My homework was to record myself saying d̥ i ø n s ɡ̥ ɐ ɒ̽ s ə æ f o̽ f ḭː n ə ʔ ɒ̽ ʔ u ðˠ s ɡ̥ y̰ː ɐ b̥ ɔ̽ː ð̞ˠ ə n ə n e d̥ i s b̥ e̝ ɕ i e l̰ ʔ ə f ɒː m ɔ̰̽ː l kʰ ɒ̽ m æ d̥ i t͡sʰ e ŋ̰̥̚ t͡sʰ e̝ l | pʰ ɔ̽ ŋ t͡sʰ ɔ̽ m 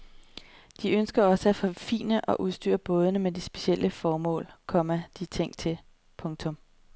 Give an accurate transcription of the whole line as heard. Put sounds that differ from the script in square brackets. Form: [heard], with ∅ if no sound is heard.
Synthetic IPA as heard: d̥ i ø n s ɡ̥ ɐ ɒ̽ s ə æ f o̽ f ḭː n ə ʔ ɒ̽ ʔ u ðˠ s [d̥] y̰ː ɐ b̥ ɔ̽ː ð̞ˠ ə n ə [m] e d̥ i s b̥ e̝ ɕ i e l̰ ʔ ə f ɒː m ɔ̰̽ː l kʰ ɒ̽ m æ d̥ i t͡sʰ e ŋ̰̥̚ t͡sʰ e̝ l | pʰ ɔ̽ ŋ t͡sʰ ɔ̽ m